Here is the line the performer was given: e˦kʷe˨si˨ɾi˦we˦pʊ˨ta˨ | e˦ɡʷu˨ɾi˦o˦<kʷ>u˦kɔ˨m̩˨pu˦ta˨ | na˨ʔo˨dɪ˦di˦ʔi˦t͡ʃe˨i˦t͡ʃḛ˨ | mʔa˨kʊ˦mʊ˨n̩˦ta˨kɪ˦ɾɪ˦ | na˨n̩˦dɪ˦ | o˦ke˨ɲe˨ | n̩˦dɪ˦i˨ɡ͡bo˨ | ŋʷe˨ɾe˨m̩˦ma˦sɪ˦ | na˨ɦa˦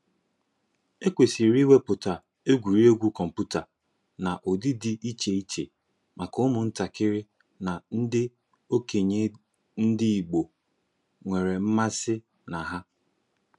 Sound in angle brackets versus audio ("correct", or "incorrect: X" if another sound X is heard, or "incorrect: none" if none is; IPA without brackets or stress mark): incorrect: ɡʷ